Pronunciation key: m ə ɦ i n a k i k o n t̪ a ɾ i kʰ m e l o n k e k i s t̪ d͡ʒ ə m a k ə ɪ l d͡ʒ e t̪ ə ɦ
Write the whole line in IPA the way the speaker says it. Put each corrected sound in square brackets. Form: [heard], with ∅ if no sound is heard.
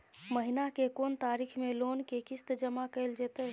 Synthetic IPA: m ə ɦ i n a k [e] k o n t̪ a ɾ i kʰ m e l o n k e k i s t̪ d͡ʒ ə m a k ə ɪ l d͡ʒ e t̪ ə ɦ